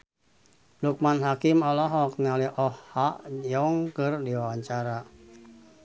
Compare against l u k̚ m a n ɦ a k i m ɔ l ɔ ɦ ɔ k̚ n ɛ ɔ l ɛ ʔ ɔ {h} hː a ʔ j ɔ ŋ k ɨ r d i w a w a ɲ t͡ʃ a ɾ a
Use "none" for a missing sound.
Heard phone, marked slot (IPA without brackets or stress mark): h